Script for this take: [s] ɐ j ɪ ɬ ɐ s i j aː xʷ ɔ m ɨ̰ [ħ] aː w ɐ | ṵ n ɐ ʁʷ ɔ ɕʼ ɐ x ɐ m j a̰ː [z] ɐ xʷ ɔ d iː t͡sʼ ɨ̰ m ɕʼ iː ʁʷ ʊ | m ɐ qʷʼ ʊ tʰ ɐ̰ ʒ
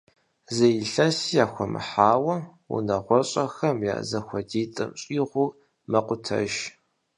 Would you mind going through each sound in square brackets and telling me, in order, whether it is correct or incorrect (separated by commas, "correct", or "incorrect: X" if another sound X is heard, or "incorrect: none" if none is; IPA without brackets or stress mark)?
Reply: incorrect: z, correct, correct